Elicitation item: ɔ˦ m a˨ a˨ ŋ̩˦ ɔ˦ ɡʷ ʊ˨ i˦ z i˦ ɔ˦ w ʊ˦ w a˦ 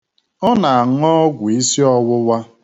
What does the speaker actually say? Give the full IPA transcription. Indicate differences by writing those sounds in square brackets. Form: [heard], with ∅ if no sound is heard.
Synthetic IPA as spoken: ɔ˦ [n] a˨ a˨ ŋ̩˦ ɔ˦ ɡʷ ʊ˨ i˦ [s] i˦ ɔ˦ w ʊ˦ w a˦